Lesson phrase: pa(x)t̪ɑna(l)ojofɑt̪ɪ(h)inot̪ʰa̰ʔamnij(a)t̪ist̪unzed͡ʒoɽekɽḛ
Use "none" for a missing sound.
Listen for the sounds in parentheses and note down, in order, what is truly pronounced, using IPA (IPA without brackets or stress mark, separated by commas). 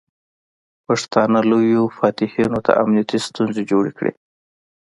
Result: ʂ, l, h, a